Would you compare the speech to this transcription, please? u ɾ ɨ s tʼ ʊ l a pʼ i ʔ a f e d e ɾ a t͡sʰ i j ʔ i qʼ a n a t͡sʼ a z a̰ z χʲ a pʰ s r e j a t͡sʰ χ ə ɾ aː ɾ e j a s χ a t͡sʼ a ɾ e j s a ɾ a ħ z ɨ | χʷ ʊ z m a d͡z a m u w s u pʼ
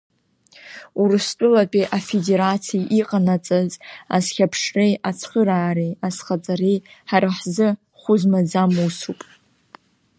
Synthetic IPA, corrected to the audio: u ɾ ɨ s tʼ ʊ l a pʼ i ʔ a f e d e ɾ a t͡sʰ i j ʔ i qʼ a n a t͡sʼ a z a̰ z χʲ a pʰ ʂ r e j a t͡sʰ χ ə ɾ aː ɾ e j a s χ a t͡sʼ a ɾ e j ħ a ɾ a ħ z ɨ | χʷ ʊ z m a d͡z a m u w s u pʼ